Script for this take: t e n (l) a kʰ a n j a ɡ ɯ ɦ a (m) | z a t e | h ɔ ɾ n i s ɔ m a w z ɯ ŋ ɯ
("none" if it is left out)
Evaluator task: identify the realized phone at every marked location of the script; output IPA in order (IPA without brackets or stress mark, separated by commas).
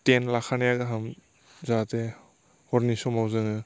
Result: l, m